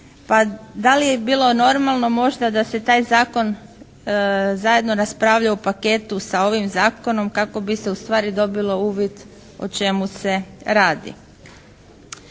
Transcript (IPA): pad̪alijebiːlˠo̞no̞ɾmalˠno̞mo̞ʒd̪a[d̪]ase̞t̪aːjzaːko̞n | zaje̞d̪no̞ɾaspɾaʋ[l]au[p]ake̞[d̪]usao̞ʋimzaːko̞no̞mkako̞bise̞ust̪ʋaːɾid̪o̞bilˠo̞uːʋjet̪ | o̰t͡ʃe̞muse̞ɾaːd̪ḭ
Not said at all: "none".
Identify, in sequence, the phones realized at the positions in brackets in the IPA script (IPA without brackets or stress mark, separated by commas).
d̪, ʎ, p, t̪